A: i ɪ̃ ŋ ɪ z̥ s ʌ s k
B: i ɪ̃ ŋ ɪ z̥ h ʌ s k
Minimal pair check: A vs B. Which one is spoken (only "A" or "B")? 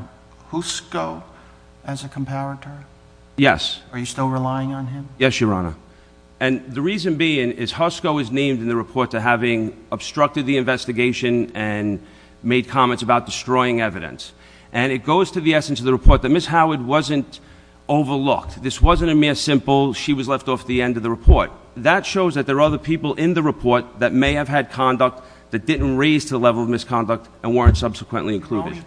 B